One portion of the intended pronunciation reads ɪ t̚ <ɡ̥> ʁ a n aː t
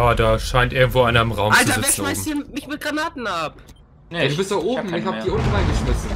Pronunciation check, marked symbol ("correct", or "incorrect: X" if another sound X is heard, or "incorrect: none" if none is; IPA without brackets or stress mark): correct